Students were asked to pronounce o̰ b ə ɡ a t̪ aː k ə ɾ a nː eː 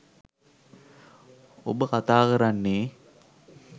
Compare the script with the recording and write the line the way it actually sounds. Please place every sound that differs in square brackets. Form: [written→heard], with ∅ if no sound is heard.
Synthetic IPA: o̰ b ə [ɡ→k] a t̪ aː k ə ɾ a nː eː